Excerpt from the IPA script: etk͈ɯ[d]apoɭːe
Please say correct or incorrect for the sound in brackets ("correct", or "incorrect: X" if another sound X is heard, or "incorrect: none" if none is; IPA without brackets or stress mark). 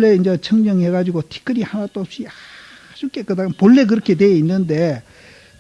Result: correct